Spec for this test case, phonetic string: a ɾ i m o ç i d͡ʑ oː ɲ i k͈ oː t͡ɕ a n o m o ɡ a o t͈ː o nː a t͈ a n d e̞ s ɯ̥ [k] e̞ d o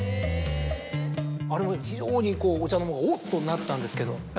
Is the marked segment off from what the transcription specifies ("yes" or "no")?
no